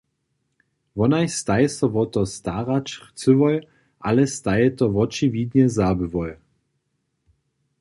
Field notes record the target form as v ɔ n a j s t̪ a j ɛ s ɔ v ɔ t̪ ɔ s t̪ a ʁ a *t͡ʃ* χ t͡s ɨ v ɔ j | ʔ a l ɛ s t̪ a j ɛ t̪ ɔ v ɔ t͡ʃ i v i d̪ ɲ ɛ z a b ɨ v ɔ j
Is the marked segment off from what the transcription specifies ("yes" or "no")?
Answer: no